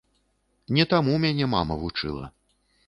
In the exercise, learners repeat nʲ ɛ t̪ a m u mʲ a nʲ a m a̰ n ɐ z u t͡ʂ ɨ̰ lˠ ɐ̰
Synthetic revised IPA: nʲ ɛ t̪ a m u mʲ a nʲ ɛ m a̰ m ɐ v u t͡ʂ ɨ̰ lˠ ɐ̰